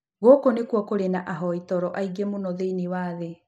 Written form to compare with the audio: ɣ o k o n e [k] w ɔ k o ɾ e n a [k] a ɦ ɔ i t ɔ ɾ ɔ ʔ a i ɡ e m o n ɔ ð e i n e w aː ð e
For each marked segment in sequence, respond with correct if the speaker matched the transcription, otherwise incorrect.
correct, incorrect

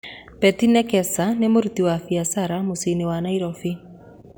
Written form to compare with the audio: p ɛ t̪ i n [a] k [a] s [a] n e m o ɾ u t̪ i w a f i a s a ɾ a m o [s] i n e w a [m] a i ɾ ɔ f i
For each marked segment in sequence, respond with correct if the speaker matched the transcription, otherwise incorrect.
incorrect, incorrect, correct, correct, incorrect

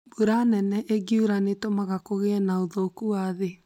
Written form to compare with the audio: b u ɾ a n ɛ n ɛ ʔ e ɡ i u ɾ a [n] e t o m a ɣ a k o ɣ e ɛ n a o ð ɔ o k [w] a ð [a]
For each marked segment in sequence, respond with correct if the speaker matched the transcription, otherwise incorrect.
correct, incorrect, incorrect

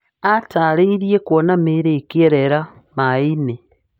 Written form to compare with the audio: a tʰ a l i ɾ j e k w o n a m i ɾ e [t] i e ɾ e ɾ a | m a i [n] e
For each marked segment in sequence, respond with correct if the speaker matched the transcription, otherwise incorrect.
incorrect, correct

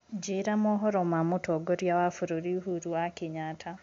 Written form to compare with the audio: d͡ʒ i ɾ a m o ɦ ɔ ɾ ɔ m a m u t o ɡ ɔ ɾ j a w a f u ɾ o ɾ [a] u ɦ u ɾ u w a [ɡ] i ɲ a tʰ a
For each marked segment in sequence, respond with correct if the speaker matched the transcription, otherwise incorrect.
incorrect, incorrect

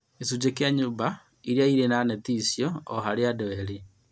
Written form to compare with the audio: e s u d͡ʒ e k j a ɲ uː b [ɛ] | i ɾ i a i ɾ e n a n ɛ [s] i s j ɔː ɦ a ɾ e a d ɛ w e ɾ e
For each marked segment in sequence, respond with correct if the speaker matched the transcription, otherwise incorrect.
incorrect, incorrect

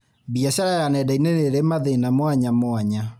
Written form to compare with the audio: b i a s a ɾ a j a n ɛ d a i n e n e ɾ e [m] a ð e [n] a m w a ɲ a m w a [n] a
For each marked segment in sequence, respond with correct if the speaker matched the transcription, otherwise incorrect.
correct, correct, incorrect

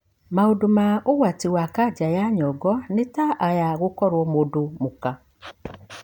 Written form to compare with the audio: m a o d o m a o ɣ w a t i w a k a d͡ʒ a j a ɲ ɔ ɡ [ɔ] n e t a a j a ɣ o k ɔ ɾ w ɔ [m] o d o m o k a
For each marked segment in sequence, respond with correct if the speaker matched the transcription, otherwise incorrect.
correct, correct

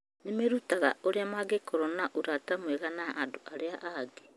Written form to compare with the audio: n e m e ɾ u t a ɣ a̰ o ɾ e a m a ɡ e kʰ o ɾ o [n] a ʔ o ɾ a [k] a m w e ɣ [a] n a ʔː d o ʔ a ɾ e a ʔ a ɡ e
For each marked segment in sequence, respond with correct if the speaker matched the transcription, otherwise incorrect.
correct, incorrect, correct

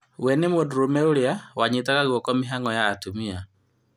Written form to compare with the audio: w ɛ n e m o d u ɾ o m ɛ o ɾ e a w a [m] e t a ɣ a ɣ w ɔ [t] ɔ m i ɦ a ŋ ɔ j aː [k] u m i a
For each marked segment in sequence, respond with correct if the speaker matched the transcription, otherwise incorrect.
incorrect, incorrect, incorrect

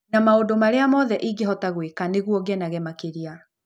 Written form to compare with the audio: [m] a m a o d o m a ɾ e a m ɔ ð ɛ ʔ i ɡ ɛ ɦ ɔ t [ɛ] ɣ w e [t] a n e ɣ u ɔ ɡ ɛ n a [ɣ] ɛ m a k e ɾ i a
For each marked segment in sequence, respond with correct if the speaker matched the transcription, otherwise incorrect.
incorrect, incorrect, incorrect, correct

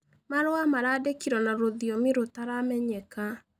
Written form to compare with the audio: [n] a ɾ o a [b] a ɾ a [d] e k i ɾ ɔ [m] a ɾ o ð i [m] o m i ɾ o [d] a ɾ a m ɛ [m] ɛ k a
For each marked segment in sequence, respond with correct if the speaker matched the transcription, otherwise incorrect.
incorrect, incorrect, correct, incorrect, incorrect, incorrect, incorrect

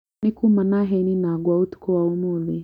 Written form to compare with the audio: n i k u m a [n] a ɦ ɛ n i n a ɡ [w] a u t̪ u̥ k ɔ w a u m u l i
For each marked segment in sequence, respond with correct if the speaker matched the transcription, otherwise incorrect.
correct, correct

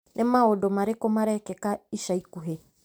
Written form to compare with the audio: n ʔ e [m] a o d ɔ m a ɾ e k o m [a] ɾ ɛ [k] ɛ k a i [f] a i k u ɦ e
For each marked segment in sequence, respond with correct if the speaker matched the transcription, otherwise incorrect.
correct, correct, correct, incorrect

